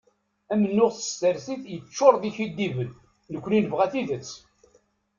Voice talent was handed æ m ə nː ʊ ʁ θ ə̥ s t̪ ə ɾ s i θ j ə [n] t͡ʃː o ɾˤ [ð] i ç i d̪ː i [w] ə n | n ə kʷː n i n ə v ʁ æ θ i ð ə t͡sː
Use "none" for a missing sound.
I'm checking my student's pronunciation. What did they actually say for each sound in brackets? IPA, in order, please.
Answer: none, ð, v

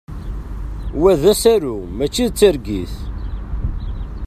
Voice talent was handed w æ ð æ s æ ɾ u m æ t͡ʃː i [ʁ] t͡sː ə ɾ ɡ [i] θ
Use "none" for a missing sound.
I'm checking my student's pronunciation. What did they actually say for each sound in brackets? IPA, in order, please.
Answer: ð, i

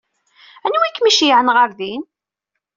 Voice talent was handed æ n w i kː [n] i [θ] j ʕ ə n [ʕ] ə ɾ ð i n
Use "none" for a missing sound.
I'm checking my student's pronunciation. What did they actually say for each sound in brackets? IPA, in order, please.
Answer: m, ʃ, ʁ

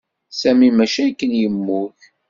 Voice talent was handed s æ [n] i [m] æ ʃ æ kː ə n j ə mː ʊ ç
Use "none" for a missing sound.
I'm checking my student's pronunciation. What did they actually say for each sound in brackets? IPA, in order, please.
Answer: m, m

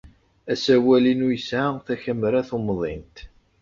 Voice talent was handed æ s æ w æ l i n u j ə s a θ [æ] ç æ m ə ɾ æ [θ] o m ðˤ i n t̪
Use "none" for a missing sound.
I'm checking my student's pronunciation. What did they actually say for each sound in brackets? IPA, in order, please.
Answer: æ, θ

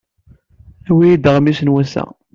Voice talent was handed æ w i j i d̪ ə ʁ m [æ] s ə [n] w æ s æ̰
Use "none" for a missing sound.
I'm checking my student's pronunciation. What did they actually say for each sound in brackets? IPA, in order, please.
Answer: i, n

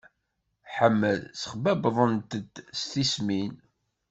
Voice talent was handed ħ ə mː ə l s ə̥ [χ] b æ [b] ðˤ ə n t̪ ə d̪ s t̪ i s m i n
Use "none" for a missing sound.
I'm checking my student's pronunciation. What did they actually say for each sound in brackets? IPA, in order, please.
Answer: χ, b

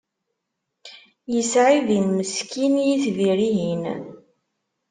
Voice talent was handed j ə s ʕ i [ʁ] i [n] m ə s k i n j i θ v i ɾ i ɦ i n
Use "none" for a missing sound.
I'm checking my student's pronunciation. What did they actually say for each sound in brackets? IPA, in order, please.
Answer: ð, n

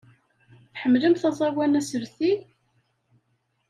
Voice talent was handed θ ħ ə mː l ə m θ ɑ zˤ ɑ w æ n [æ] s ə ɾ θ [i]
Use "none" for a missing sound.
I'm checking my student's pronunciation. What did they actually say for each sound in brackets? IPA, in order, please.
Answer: æ, i

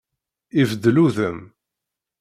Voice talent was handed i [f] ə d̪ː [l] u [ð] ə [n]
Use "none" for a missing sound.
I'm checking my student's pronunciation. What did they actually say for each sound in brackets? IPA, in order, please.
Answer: v, l, ð, m

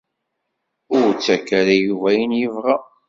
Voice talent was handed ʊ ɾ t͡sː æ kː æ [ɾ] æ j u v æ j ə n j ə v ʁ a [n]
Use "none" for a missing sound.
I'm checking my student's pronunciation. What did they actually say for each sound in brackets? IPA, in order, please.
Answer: ɾ, none

